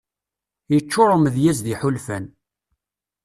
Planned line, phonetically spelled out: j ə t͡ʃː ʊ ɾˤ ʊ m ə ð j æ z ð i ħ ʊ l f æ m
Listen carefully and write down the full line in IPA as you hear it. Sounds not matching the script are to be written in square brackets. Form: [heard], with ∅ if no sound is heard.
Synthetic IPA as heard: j ə t͡ʃː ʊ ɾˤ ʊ m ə ð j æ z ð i ħ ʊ l f æ [n]